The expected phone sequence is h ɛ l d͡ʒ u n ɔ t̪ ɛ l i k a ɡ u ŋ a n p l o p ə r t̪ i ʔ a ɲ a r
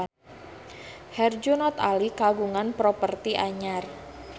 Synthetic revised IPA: h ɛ r d͡ʒ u n ɔ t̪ a l i k a ɡ u ŋ a n p ɾ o p ə r t̪ i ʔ a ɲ a r

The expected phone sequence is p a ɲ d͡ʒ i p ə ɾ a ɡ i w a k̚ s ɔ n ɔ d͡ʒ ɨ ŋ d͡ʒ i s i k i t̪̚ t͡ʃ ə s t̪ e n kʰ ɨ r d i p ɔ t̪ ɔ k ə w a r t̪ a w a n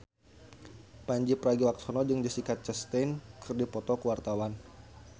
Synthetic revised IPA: p a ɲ d͡ʒ i p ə ɾ a ɡ i w a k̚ s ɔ n ɔ d͡ʒ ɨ ŋ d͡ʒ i s i k a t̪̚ t͡ʃ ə s t̪ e n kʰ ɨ r d i p ɔ t̪ ɔ k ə w a r t̪ a w a n

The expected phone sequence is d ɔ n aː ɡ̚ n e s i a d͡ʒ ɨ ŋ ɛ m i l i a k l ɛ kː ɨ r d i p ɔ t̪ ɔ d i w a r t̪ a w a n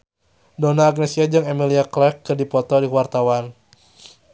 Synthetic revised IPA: d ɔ n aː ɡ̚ n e s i a d͡ʒ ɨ ŋ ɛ m i l i a k l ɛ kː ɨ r d i p ɔ t̪ ɔ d i w a r t̪ a w a n

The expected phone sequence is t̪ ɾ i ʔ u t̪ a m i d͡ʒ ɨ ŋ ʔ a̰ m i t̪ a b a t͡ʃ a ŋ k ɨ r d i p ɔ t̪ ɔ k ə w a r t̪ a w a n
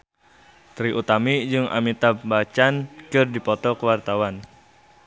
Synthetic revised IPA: t̪ ɾ i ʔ u t̪ a m i d͡ʒ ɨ ŋ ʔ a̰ m i t̪ a b a t͡ʃ a n k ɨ r d i p ɔ t̪ ɔ k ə w a r t̪ a w a n

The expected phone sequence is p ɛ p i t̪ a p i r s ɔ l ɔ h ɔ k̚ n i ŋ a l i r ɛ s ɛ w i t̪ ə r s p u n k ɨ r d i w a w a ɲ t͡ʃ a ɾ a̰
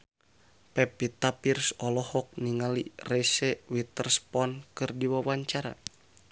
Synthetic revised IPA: p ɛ p i t̪ a p i r s ɔ l ɔ h ɔ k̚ n i ŋ a l i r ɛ s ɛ w i t̪ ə r s p ɔ n k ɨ r d i w a w a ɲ t͡ʃ a ɾ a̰

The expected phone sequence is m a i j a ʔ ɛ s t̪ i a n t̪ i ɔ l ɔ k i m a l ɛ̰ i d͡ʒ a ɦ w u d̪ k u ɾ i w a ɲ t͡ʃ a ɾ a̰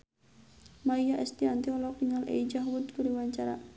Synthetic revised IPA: m a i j a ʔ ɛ s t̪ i a n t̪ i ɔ l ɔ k i ŋ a l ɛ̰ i d͡ʒ a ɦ w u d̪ k u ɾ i w a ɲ t͡ʃ a ɾ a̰

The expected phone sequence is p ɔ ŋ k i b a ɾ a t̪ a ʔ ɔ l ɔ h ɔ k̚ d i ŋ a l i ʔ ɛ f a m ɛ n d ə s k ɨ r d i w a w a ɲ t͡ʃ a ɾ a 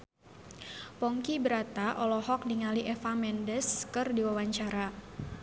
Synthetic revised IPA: p ɔ ŋ k i b ə ɾ a t̪ a ʔ ɔ l ɔ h ɔ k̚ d i ŋ a l i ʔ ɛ f a m ɛ n d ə s k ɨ r d i w a w a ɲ t͡ʃ a ɾ a

